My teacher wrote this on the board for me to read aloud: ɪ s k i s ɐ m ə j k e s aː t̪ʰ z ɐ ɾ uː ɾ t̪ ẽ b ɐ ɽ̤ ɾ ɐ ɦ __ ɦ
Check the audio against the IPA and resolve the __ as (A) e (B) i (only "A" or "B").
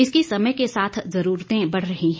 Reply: B